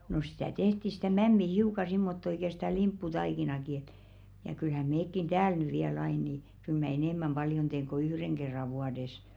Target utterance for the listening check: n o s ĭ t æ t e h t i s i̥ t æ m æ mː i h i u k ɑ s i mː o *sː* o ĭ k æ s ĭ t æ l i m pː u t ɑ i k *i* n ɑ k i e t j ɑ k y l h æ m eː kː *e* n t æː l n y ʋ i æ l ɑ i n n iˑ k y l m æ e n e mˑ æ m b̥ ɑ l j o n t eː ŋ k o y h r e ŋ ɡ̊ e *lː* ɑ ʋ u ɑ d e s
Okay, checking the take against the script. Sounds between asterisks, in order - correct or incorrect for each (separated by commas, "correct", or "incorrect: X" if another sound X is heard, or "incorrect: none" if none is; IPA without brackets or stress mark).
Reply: incorrect: tː, correct, incorrect: i, incorrect: rː